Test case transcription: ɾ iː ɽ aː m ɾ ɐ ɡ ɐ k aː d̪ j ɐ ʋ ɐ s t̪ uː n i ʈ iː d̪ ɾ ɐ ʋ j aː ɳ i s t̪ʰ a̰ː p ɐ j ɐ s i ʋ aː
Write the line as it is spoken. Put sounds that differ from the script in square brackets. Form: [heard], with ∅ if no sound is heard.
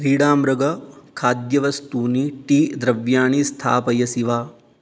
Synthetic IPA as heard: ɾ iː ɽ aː m ɾ ɐ ɡ ɐ [kʰ] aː d̪ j ɐ ʋ ɐ s t̪ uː n i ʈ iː d̪ ɾ ɐ ʋ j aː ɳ i s t̪ʰ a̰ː p ɐ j ɐ s i ʋ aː